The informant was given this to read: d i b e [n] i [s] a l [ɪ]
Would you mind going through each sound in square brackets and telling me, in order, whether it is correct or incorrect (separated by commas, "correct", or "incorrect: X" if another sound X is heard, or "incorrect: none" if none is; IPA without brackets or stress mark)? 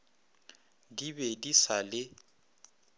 incorrect: d, correct, correct